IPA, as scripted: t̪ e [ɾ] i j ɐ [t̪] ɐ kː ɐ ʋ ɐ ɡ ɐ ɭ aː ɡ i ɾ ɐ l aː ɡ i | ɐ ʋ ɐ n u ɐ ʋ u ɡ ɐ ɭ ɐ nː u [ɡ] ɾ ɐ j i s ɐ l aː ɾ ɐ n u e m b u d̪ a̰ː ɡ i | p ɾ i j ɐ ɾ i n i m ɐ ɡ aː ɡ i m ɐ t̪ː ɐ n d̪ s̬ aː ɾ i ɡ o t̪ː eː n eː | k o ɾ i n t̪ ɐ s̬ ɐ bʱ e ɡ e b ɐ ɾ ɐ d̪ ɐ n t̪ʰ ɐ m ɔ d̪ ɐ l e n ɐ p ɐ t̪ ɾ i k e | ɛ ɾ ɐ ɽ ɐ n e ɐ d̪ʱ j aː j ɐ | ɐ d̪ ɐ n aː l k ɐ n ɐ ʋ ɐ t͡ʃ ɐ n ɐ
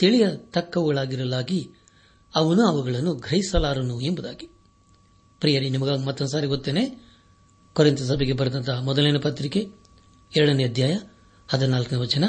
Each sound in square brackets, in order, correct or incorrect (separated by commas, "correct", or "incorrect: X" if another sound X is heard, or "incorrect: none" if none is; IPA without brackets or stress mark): incorrect: ɭ, correct, correct